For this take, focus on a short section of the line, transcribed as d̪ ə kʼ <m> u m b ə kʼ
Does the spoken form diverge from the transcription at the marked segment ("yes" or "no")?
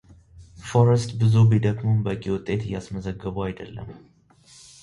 no